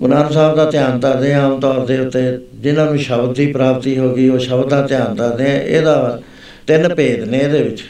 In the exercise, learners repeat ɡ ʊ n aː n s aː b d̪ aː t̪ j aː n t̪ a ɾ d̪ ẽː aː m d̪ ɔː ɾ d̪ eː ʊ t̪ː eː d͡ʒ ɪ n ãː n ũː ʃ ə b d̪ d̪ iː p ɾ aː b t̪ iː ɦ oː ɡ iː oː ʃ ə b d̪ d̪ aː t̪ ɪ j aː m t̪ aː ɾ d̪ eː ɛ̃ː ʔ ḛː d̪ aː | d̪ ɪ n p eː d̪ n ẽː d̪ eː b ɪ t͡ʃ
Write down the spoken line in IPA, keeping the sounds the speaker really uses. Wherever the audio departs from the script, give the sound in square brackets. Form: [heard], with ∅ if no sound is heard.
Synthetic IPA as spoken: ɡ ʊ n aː n s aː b d̪ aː t̪ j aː n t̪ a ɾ d̪ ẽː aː m [t̪] ɔː ɾ d̪ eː ʊ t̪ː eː d͡ʒ ɪ n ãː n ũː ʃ ə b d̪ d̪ iː p ɾ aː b t̪ iː ɦ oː ɡ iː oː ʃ ə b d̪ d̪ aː t̪ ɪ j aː [n] t̪ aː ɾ d̪ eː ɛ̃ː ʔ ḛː d̪ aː | [t̪] ɪ n p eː d̪ n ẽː d̪ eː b ɪ t͡ʃ